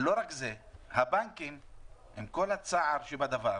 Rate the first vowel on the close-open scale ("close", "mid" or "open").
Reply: mid